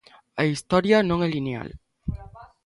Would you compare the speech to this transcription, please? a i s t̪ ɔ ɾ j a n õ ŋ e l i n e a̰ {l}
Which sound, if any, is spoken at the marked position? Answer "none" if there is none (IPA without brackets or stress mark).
l